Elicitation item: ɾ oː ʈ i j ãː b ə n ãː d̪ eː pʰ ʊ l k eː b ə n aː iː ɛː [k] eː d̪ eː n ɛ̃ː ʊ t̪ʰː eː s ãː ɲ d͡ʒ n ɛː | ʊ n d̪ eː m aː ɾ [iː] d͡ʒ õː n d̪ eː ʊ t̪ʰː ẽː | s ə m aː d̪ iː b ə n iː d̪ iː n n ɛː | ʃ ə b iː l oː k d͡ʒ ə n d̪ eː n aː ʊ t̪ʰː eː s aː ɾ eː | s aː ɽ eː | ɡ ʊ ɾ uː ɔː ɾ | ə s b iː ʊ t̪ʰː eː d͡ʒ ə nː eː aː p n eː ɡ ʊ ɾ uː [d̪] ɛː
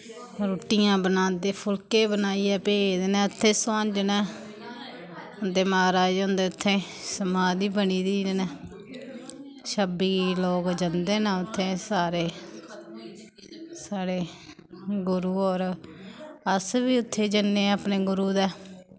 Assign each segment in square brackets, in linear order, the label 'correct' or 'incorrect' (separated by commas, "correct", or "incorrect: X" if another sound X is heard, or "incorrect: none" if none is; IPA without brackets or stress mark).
incorrect: p, incorrect: aː, correct